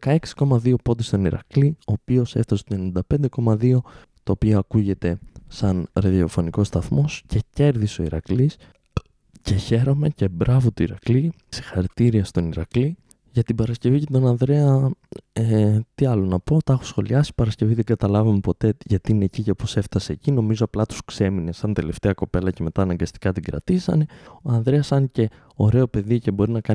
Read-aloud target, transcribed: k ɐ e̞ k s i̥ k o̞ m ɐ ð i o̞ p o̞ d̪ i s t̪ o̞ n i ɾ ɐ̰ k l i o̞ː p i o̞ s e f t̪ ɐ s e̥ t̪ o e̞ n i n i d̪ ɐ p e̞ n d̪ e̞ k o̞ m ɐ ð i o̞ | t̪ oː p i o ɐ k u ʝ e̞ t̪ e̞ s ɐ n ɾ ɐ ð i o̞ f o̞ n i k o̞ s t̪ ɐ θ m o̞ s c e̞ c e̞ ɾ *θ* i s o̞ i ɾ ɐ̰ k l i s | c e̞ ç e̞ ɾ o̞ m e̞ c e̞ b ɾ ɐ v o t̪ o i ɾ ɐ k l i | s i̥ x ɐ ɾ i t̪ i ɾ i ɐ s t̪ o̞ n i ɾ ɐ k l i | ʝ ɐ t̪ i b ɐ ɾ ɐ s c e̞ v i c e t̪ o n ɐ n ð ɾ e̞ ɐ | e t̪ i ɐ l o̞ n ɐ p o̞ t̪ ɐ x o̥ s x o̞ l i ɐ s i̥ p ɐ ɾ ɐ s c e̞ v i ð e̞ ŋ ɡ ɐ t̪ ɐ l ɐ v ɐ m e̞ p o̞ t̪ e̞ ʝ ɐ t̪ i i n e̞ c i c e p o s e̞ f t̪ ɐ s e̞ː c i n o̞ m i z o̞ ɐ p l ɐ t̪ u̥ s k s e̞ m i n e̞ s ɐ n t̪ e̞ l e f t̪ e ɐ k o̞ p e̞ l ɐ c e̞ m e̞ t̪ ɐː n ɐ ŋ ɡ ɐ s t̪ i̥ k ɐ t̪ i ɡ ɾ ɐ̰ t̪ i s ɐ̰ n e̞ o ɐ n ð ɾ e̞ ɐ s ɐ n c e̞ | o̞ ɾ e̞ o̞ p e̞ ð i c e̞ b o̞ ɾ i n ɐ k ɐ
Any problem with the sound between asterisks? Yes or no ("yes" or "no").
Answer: yes